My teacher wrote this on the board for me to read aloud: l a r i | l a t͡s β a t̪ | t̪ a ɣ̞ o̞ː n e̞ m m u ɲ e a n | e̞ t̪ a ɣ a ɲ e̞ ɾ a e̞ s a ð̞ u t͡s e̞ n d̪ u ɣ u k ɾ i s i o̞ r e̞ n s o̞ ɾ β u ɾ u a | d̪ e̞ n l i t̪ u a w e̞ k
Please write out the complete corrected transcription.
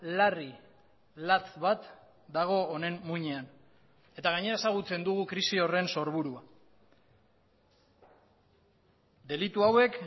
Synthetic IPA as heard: l a r i | l a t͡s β a t̪ | d̪ a ɣ̞ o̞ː n e̞ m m u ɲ e a n | e̞ t̪ a ɣ a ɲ e̞ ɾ a e̞ s a ɣ̞ u t͡s e̞ n d̪ u ɣ u k ɾ i s i o̞ r e̞ n s o̞ ɾ β u ɾ u a | d̪ e̞ l i t̪ u a w e̞ k